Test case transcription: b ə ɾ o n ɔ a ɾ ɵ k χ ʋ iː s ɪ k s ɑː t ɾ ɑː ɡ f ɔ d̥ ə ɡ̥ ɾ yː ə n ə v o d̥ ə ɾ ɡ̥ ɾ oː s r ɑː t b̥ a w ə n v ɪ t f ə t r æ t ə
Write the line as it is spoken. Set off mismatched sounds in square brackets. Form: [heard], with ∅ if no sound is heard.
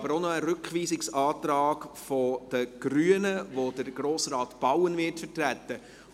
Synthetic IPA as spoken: b ə ɾ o n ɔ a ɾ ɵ k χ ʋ iː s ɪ k s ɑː t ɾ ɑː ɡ f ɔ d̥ ə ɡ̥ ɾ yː ə n ə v o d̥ ə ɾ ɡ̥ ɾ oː s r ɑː t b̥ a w ə n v ɪ t f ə t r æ t ə